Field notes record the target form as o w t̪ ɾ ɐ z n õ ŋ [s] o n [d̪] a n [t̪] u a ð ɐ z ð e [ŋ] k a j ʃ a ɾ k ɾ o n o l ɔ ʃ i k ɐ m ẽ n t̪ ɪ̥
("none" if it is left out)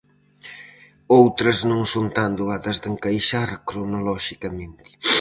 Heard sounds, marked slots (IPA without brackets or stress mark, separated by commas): s, t̪, d̪, ŋ